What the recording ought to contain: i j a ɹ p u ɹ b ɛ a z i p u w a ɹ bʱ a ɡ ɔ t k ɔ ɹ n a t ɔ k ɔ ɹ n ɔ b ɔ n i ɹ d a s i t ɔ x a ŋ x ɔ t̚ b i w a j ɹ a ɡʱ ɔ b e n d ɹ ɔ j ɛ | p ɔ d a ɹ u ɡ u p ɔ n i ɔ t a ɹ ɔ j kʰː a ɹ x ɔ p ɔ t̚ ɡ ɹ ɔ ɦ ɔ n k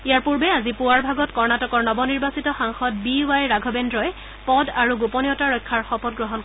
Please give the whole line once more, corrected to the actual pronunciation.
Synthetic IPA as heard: i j a ɹ p u ɹ b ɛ a z i p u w a ɹ bʱ a ɡ ɔ t k ɔ ɹ n a t ɔ k ɔ ɹ n ɔ b ɔ n i ɹ b a s i t ɔ x a ŋ x ɔ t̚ b i w a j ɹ a ɡʱ ɔ b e n d ɹ ɔ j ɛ | p ɔ d a ɹ u ɡ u p ɔ n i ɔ t a ɹ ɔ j kʰː a ɹ x ɔ p ɔ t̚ ɡ ɹ ɔ ɦ ɔ n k